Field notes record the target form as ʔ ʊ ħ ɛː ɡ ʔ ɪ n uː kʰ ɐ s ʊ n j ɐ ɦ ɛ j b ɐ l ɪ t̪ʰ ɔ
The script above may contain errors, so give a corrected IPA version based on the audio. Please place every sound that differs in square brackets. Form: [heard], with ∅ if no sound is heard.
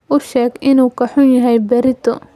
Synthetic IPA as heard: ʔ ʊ [ʃ] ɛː ɡ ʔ ɪ n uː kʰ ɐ [ħ] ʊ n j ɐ ɦ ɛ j b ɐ [ɾ] ɪ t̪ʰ ɔ